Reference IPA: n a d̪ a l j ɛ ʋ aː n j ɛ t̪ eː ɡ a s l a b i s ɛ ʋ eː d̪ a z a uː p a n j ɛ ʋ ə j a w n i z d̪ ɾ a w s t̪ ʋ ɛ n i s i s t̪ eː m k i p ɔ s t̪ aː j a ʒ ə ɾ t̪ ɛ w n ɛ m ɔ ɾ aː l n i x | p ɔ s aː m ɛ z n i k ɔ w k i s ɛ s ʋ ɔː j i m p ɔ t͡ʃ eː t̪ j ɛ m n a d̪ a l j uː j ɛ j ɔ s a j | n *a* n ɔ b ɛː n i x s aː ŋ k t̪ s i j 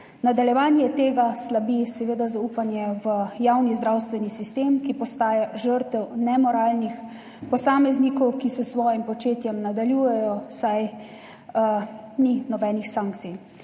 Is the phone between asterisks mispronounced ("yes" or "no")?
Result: yes